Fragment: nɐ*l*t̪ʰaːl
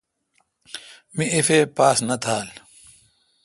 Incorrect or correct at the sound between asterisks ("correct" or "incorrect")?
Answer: incorrect